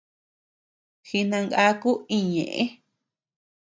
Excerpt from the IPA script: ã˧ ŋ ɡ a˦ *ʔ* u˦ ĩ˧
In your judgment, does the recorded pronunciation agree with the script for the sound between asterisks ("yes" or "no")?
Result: no